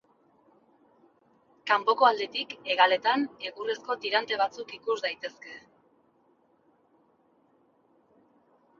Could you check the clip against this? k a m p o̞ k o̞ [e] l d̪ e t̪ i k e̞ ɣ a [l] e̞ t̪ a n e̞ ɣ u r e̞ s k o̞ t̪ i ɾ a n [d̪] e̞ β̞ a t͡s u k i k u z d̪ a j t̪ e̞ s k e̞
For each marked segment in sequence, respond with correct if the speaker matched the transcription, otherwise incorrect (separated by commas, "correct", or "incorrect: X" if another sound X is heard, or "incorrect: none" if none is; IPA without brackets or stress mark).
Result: incorrect: a, correct, incorrect: t̪